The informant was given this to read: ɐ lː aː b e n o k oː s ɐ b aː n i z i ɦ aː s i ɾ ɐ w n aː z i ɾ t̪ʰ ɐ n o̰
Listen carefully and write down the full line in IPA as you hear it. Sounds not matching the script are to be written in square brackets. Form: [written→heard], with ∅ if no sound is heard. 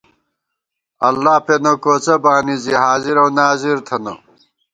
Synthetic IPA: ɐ lː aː [b→p] e n o k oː [s→t͡s] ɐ b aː n i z i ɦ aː [s→z] i ɾ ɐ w n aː z i ɾ t̪ʰ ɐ n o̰